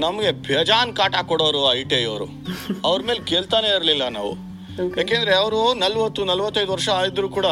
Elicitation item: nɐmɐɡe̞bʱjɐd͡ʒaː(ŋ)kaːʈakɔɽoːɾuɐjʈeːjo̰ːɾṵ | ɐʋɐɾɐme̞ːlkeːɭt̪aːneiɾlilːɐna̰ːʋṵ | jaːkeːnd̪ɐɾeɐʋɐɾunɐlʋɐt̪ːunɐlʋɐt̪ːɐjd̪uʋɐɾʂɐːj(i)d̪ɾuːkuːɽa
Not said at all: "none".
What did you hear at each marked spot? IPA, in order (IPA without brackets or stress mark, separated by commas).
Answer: n, i